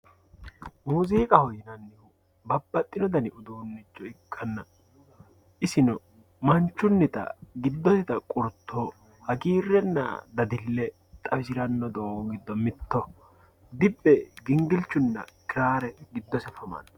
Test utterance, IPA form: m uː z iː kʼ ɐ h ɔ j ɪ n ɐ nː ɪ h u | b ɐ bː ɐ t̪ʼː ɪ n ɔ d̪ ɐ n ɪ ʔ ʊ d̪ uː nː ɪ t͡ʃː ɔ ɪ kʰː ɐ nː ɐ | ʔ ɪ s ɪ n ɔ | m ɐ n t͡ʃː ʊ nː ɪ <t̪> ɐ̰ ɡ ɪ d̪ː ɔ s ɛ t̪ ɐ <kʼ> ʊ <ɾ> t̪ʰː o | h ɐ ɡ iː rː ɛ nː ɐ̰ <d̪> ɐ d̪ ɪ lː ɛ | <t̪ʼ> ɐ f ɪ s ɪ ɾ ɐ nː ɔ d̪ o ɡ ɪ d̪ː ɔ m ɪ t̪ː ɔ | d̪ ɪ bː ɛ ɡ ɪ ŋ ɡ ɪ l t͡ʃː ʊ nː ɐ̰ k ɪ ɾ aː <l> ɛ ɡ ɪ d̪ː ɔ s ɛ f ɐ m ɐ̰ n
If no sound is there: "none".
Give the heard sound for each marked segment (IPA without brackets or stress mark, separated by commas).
t̪, kʼ, ɾ, d̪, t̪ʼ, ɾ